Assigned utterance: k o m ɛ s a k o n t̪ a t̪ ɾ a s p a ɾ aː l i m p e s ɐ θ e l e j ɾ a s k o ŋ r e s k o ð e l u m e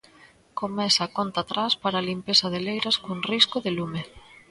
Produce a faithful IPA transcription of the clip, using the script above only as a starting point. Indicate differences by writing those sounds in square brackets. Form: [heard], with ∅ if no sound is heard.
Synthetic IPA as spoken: k o m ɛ s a k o n t̪ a t̪ ɾ a s p a ɾ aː l i m p e s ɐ [ð] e l e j ɾ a s k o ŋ r [i] s k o ð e l u m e